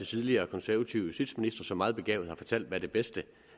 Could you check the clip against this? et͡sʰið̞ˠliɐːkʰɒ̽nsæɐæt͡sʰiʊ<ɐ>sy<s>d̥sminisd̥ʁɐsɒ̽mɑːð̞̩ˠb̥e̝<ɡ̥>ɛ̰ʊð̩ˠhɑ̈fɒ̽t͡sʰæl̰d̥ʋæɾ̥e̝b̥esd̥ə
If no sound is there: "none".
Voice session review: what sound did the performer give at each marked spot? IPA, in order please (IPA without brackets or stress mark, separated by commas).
ə, none, ɡ̥